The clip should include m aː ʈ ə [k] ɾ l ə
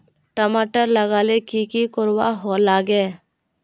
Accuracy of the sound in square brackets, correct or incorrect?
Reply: incorrect